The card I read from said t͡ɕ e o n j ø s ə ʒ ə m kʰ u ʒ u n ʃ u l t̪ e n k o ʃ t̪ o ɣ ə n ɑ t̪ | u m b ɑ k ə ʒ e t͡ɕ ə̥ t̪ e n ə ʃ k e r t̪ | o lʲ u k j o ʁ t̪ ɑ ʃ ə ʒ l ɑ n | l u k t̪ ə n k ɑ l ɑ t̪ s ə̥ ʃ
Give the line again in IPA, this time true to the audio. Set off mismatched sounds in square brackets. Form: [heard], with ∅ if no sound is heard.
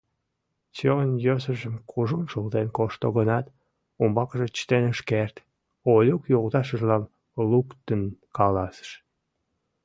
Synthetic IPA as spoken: t͡ɕ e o n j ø s ə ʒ ə m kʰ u ʒ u n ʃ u l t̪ e n k o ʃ t̪ o ɣ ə n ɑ t̪ | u m b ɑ k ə ʒ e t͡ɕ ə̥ t̪ e n ə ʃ k e r t̪ | o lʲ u k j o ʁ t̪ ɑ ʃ ə ʒ l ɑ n | l u k t̪ ə n k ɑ l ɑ [∅] s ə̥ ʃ